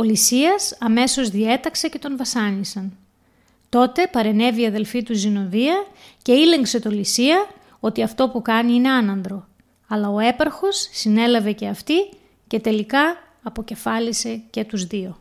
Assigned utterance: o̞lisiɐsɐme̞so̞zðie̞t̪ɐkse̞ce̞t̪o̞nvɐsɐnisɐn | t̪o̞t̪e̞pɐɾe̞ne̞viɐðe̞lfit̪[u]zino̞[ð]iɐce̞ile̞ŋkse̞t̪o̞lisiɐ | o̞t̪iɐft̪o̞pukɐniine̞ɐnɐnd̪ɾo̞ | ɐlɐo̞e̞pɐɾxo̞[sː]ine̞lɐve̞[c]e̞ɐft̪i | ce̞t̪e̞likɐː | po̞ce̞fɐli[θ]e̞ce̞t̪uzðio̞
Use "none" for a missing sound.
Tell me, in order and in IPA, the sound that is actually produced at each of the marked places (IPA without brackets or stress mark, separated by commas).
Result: u, ð, sː, c, s